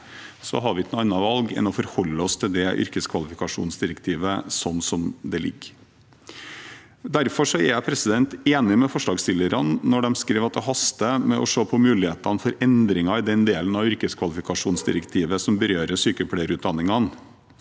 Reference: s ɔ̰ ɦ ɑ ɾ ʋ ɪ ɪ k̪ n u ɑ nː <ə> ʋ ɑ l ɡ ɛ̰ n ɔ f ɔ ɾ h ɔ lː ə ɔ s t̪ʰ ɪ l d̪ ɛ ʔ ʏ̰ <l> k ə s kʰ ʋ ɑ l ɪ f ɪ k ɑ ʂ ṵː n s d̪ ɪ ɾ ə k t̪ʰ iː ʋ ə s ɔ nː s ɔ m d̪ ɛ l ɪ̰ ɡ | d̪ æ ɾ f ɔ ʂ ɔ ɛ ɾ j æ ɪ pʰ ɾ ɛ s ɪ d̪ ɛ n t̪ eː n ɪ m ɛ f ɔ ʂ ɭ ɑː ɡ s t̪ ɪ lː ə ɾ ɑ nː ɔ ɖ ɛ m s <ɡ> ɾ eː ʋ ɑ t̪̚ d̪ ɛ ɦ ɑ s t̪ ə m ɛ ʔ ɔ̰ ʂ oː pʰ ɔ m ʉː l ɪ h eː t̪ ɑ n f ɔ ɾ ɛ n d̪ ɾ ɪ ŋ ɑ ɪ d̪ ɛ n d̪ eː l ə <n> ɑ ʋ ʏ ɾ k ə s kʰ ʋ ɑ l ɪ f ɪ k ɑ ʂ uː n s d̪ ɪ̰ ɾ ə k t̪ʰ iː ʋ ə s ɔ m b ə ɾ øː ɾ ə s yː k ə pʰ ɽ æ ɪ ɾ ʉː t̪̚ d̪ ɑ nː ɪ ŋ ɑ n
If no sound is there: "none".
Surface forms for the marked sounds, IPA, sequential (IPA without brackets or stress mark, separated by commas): ɑ, ɾ, k, n